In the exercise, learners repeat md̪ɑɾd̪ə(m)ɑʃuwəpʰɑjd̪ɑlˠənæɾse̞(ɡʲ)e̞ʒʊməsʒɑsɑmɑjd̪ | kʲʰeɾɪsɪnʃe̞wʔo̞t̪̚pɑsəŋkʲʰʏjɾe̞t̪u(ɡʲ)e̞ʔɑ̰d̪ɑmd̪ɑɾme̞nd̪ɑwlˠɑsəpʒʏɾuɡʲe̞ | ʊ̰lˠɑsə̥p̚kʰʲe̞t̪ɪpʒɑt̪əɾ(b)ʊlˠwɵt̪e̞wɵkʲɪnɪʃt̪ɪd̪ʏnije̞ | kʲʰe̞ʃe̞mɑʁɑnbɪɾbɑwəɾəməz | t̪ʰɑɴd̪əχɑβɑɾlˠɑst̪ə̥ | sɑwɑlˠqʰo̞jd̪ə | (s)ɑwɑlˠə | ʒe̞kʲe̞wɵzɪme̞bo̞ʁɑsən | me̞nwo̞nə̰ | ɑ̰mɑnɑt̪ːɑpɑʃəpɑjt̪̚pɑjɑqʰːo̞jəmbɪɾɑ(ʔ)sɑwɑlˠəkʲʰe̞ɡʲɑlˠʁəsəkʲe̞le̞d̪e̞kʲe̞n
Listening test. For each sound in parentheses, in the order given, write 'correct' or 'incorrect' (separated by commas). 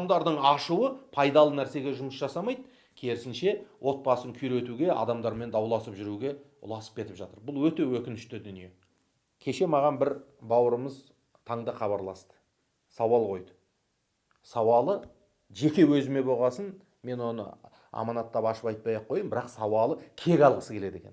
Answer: incorrect, correct, correct, correct, correct, incorrect